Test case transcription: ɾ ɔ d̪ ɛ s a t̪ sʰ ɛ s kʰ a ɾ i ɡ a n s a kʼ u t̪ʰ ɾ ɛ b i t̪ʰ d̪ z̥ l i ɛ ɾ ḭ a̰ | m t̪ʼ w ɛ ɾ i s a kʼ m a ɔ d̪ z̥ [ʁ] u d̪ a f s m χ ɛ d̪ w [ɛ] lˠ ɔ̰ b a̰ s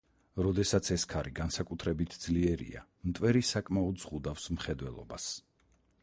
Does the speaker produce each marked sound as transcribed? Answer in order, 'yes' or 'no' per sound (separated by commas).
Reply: yes, yes